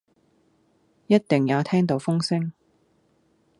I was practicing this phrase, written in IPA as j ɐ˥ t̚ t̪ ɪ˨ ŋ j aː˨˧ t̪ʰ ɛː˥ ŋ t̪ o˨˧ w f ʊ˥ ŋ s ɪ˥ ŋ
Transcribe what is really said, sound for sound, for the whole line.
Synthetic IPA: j ɐ˥ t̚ t̪ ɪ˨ ŋ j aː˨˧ t̪ʰ ɛː˥ ŋ t̪ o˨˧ w f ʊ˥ ŋ s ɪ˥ ŋ